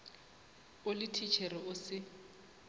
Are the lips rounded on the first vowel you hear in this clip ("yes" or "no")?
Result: yes